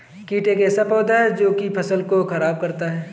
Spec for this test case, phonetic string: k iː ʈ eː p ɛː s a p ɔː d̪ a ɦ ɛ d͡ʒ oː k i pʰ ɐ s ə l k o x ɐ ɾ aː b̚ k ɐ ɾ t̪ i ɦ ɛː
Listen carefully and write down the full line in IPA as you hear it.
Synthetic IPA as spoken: k iː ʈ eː k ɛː s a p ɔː d̪ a ɦ ɛ d͡ʒ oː k i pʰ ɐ s ə l k o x ɐ ɾ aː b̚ k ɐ ɾ t̪ a ɦ ɛː